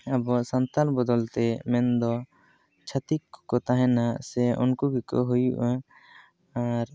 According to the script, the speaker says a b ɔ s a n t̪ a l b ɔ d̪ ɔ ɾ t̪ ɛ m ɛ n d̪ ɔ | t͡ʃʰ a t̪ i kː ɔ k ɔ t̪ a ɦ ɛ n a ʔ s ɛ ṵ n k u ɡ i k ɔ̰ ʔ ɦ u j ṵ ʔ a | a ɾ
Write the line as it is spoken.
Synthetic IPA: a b ɔ s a n t̪ a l b ɔ d̪ ɔ l t̪ ɛ m ɛ n d̪ ɔ | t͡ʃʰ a t̪ i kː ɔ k ɔ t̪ a ɦ ɛ n a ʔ s ɛ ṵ n k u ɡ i k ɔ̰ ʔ ɦ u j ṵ ʔ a | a ɾ